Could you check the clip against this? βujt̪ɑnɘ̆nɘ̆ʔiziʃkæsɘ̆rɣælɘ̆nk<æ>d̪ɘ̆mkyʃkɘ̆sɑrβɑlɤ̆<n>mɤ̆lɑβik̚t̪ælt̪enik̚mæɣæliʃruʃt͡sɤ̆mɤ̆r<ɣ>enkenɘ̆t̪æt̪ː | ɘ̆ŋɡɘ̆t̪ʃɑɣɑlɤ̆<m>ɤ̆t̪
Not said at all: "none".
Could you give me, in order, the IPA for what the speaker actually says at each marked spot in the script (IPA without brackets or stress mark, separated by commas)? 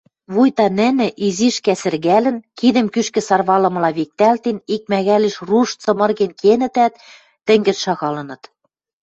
i, none, ɣ, n